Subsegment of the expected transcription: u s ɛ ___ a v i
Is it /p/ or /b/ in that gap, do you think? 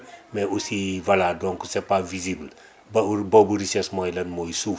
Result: p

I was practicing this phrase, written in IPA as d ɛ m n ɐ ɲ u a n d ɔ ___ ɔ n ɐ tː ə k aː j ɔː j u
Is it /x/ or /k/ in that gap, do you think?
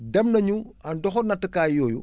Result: x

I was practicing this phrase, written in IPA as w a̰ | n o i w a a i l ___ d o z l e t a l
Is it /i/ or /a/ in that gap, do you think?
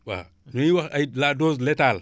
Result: a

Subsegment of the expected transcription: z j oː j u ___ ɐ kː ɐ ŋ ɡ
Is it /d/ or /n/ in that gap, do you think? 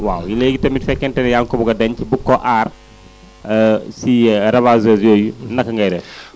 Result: n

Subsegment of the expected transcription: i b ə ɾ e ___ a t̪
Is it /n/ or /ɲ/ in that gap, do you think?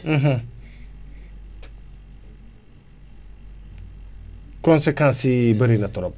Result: n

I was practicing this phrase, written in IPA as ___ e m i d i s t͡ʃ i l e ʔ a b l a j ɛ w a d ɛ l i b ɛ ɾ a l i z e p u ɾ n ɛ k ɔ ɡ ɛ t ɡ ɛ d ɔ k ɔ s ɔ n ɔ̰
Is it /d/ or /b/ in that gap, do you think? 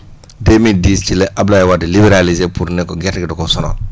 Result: d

